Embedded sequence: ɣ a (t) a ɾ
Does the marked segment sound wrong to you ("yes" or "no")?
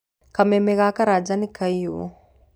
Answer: yes